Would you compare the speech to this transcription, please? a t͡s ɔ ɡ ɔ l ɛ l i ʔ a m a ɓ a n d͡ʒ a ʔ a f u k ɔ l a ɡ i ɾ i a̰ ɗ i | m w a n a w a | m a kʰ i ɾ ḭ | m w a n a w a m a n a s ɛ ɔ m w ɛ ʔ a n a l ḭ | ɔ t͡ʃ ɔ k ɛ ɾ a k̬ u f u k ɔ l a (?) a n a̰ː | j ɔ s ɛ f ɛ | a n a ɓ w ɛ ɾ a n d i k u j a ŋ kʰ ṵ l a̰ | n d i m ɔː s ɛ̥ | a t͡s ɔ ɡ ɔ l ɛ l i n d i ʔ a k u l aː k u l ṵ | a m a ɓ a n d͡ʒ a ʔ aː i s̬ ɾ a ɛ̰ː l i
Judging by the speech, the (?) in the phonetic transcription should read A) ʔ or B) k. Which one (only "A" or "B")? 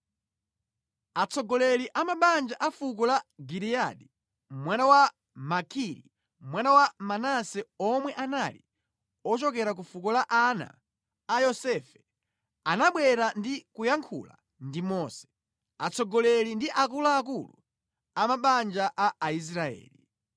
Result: A